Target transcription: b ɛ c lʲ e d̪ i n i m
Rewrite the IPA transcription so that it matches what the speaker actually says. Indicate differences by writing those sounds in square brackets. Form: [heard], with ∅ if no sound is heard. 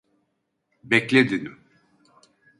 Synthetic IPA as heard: b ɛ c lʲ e d̪ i n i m